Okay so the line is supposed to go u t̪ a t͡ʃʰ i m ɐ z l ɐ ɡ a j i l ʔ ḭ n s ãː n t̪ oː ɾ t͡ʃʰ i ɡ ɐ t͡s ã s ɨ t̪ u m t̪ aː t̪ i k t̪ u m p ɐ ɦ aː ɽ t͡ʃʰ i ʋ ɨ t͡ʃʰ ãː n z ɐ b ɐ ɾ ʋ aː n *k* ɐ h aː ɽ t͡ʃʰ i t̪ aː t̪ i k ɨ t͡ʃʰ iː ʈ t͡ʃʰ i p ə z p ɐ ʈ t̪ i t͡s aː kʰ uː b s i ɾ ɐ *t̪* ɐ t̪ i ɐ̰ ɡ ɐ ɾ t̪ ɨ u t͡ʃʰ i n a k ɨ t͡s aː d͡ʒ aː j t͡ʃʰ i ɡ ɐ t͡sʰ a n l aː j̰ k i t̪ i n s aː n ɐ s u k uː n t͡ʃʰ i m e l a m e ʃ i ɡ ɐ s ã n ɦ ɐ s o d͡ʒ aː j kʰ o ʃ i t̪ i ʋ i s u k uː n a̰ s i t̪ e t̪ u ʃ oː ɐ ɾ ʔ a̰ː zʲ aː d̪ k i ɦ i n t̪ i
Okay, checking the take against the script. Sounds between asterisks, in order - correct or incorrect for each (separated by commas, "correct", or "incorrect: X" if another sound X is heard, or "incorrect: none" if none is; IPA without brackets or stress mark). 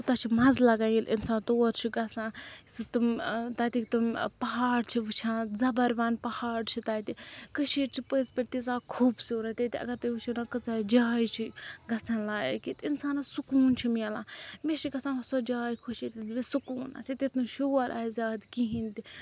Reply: incorrect: p, correct